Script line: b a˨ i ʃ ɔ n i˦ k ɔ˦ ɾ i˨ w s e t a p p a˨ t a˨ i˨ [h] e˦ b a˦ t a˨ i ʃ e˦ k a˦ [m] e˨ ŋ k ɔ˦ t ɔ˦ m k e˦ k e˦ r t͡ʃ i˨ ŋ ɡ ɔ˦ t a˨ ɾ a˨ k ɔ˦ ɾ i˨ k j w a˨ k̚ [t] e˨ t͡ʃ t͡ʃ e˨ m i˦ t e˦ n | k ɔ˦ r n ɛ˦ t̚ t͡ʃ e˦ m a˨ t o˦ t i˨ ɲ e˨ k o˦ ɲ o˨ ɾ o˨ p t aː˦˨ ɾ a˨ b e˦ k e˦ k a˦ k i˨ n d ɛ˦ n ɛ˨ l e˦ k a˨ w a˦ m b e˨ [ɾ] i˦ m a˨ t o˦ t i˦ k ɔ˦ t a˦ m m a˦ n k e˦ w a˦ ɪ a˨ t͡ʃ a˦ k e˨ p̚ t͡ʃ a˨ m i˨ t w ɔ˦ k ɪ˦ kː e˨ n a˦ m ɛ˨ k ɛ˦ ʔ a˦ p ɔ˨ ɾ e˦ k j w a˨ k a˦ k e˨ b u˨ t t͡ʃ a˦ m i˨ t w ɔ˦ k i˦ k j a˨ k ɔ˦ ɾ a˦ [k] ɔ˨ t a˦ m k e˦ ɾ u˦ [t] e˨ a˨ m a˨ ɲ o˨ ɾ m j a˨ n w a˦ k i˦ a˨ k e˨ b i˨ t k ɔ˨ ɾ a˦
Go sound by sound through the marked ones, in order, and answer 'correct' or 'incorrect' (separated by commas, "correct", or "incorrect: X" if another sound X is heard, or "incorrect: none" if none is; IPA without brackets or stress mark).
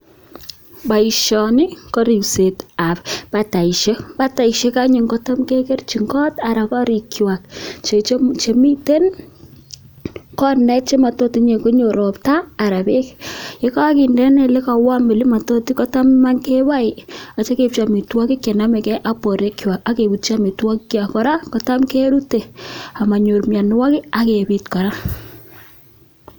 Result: incorrect: ʃ, incorrect: ɲ, incorrect: t͡ʃ, incorrect: l, correct, correct